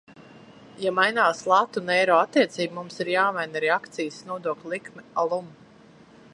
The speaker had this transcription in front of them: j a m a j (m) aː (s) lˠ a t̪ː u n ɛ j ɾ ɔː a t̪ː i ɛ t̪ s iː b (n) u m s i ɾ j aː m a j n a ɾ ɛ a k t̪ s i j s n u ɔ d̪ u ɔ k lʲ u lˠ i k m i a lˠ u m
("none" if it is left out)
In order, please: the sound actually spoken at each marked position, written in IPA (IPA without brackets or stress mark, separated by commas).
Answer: n, s, m